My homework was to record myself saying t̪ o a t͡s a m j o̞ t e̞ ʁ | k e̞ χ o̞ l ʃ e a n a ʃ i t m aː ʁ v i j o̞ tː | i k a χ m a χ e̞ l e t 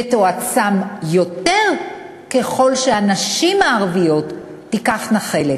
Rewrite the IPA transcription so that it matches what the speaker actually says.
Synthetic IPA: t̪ o a t͡s a m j o̞ t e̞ ʁ | k e̞ χ o̞ l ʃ e a n a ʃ i m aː ʁ v i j o̞ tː | i k a χ n a χ e̞ l e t